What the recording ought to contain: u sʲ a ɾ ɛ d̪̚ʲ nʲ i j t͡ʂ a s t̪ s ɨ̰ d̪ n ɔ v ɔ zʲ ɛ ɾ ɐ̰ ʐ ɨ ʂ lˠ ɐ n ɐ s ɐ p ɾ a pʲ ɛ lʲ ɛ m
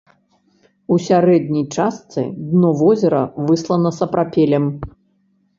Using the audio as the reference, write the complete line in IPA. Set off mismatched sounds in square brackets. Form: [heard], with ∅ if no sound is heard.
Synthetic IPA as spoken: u sʲ a ɾ ɛ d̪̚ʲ nʲ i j t͡ʂ a s t̪ s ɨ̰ d̪ n ɔ v ɔ zʲ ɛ ɾ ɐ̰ [v] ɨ [s] lˠ ɐ n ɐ s ɐ p ɾ a pʲ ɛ lʲ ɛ m